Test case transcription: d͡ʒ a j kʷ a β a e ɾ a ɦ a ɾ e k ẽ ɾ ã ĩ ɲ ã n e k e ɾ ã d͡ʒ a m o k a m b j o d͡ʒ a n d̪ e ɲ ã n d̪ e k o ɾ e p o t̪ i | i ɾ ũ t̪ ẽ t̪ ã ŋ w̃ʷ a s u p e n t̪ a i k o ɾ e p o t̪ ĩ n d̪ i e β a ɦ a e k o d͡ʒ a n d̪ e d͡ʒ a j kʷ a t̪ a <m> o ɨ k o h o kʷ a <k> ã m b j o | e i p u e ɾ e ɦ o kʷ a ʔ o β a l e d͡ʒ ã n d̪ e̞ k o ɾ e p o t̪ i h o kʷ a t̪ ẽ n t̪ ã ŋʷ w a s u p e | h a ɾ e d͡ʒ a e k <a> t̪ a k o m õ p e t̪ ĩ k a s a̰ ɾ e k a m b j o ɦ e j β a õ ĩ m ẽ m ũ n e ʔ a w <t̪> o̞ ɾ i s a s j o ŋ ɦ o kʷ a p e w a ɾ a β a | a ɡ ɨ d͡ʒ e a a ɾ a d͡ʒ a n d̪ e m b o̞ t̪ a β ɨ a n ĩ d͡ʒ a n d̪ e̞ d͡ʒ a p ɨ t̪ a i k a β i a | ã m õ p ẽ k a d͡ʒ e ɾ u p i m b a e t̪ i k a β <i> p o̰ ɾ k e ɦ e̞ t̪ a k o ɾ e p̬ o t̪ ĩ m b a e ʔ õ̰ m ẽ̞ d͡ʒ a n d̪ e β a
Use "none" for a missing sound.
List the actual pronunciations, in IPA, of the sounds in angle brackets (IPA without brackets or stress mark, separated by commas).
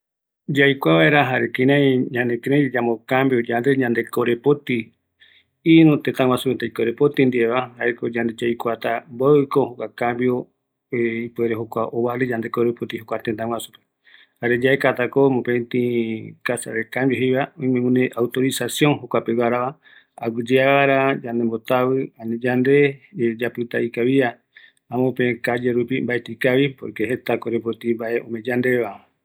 b, k, a, t̪, i